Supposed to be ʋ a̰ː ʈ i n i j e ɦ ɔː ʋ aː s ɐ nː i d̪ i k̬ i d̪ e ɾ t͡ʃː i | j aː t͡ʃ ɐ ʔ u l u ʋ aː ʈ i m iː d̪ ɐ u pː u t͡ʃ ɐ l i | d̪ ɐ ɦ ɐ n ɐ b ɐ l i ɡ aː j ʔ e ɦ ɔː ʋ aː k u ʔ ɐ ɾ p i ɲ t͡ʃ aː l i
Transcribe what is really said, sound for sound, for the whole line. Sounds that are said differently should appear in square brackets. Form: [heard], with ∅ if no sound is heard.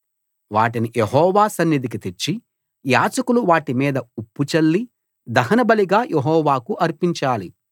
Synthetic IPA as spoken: ʋ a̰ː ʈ i n i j e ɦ ɔː ʋ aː s ɐ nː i d̪ i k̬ i [t̪] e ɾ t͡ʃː i | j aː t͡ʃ ɐ [k] u l u ʋ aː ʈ i m iː d̪ ɐ u pː u t͡ʃ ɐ [lː] i | d̪ ɐ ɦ ɐ n ɐ b ɐ l i ɡ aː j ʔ e ɦ ɔː ʋ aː k u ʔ ɐ ɾ p i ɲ t͡ʃ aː l i